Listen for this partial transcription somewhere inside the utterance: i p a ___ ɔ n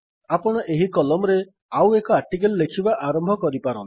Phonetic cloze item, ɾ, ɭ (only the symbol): ɾ